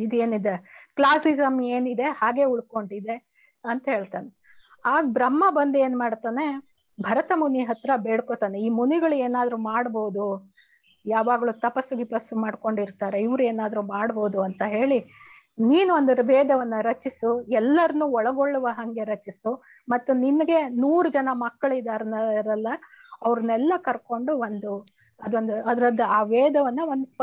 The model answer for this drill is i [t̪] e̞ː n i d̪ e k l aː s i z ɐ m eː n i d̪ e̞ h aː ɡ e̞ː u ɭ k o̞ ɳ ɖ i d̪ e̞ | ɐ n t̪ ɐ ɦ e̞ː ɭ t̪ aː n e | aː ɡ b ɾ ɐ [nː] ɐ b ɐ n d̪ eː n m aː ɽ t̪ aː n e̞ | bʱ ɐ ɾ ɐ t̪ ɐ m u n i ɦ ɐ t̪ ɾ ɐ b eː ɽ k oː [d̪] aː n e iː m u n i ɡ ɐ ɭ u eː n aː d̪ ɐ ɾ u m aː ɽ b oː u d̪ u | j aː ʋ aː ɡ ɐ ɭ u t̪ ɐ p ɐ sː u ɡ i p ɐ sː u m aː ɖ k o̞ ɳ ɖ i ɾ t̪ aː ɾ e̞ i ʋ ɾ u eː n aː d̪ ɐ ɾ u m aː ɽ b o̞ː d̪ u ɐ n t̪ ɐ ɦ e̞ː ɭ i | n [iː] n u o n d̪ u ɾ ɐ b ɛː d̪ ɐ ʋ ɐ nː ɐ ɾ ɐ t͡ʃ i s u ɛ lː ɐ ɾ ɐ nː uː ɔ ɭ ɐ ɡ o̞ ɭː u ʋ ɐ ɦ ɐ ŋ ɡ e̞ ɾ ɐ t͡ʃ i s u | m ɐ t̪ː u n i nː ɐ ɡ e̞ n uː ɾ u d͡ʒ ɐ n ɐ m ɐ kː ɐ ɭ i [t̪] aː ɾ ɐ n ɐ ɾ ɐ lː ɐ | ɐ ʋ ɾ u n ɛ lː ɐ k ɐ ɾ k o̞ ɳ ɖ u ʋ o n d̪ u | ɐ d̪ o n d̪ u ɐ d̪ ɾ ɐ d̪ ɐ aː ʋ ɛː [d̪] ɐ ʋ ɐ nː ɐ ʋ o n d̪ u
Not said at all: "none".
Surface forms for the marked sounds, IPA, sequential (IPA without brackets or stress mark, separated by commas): d̪, mː, t̪, iː, d̪, d̪